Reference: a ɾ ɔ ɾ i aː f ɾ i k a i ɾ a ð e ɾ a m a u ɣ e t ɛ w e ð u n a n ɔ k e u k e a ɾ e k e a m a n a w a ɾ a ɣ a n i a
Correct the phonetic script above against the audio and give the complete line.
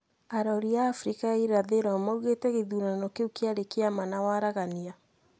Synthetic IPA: a ɾ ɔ ɾ i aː f ɾ i k a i ɾ a ð e ɾ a m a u ɣ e t ɛ ɣ e ð u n a n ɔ k e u k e a ɾ e k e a m a n a w a ɾ a ɣ a n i a